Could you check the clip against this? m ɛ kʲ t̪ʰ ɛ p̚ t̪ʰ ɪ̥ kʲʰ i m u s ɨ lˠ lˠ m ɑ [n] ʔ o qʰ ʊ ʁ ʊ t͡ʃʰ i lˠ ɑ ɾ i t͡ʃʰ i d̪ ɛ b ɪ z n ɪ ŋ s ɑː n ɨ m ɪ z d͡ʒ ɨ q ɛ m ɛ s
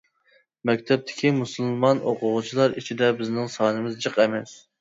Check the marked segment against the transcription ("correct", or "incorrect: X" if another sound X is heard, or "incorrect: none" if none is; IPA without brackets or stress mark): correct